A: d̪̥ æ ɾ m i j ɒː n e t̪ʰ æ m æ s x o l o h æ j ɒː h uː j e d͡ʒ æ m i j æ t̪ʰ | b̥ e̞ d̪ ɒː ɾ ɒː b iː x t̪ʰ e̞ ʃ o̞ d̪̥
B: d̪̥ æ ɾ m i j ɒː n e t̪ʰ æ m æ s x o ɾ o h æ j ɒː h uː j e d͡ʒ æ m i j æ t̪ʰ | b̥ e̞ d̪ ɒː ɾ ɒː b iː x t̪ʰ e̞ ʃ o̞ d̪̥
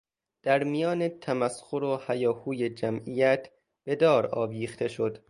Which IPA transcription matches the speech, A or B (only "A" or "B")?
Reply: B